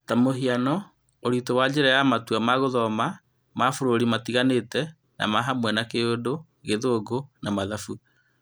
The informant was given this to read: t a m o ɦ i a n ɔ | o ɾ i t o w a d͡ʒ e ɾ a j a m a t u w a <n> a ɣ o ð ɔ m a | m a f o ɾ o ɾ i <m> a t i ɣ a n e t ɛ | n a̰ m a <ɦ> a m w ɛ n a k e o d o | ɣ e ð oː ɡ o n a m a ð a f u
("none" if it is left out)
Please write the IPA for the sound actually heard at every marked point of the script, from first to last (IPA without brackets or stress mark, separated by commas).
m, m, ɦ